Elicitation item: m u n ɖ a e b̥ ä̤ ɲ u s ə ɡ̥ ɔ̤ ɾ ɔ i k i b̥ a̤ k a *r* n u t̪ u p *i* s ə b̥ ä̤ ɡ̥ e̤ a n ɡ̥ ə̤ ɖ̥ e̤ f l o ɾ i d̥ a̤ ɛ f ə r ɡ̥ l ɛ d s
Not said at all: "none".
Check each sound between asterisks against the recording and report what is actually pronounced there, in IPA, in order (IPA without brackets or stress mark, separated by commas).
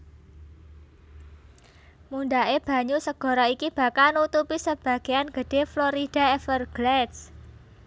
l, i